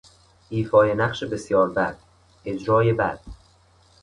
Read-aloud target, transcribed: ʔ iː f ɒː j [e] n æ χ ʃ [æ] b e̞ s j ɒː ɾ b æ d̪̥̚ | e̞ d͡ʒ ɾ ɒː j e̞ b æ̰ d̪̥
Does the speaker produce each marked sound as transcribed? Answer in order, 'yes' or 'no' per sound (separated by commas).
yes, no